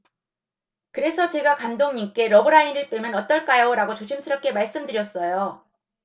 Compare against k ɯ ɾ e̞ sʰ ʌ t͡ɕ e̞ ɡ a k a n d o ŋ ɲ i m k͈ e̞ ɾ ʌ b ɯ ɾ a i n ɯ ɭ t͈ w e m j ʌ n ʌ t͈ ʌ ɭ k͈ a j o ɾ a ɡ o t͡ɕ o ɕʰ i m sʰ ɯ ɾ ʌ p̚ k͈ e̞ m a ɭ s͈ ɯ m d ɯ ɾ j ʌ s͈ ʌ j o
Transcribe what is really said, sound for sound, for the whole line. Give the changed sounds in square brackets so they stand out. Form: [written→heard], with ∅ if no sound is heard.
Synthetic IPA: k ɯ ɾ e̞ sʰ ʌ t͡ɕ e̞ ɡ a k a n d o ŋ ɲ i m k͈ e̞ ɾ ʌ b ɯ ɾ a i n ɯ ɭ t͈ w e m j ʌ n ʌ t͈ ʌ ɭ k͈ a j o ɾ a ɡ o t͡ɕ o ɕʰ i m sʰ ɯ ɾ ʌ p̚ k͈ e̞ m a ɭ s͈ ɯ m d ɯ ɾ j ʌ s͈ ʌ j o